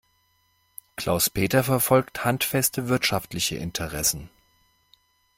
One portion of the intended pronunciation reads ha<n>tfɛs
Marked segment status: correct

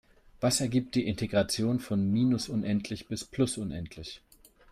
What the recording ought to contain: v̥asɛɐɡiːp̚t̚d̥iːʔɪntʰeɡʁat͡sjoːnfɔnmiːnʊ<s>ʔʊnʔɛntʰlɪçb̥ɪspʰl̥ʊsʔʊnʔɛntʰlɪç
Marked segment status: correct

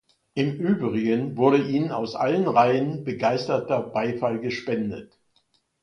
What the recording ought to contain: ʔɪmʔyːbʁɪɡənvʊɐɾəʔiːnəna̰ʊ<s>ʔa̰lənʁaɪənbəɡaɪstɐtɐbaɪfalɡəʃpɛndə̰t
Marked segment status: correct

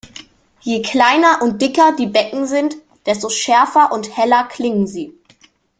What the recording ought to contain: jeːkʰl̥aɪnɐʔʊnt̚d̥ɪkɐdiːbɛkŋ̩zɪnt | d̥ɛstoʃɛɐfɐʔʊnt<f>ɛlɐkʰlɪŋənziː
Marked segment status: incorrect: h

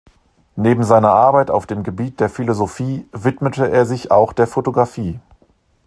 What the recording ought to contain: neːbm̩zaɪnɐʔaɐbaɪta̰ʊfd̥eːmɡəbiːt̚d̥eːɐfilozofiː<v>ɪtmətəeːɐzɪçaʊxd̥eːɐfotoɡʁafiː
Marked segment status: correct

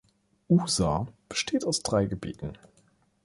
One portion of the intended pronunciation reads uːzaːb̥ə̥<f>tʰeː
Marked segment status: incorrect: ʃ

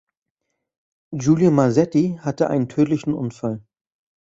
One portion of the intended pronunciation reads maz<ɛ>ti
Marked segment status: correct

